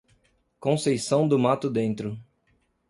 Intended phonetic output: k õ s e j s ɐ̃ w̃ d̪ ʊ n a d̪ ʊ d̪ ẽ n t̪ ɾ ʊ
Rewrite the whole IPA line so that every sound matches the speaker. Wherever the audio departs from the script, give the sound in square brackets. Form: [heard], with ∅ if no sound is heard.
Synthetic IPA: k õ s e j s ɐ̃ w̃ d̪ ʊ [m] a [t̪] ʊ d̪ ẽ n t̪ ɾ ʊ